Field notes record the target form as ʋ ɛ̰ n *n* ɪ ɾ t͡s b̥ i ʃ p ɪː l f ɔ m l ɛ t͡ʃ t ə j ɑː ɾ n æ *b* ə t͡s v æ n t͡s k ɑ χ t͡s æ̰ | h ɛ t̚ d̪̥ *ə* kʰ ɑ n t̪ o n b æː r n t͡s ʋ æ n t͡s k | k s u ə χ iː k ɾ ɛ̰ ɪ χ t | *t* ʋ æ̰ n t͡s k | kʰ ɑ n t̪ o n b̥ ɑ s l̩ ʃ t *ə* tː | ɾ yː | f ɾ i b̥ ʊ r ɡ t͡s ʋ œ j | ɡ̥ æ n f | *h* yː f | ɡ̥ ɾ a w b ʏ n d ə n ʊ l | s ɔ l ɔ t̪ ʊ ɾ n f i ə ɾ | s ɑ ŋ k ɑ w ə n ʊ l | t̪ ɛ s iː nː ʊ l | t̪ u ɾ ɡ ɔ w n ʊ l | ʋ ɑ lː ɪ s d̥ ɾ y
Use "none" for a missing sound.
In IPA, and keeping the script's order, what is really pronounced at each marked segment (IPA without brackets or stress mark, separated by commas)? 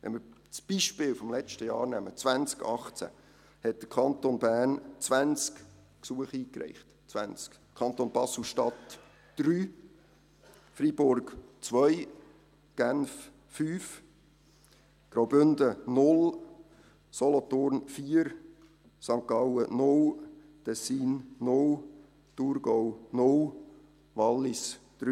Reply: m, m, ə, t͡s, ɑ, f